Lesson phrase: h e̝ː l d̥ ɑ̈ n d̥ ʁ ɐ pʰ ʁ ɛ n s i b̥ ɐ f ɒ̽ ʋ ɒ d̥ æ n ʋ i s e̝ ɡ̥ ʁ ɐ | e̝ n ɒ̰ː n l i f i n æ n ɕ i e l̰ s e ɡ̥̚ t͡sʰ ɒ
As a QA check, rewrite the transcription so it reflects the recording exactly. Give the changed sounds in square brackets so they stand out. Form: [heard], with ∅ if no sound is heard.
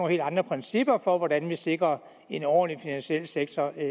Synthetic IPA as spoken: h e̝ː l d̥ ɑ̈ n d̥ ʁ ɐ pʰ ʁ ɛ n s i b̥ ɐ f ɒ̽ ʋ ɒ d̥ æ n ʋ i s e̝ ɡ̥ ʁ ɐ | e̝ n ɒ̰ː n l i f i n æ n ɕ i e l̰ s e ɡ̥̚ t͡sʰ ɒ